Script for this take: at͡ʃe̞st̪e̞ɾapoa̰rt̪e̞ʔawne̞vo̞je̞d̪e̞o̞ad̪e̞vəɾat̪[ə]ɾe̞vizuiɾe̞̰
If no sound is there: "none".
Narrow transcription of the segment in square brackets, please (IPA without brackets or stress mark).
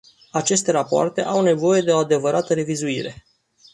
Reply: ə